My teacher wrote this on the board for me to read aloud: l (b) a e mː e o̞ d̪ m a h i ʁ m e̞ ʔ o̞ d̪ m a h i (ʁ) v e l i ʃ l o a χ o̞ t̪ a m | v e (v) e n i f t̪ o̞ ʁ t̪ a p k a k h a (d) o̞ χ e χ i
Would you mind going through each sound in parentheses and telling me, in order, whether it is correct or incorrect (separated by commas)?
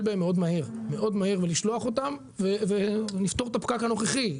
correct, correct, correct, incorrect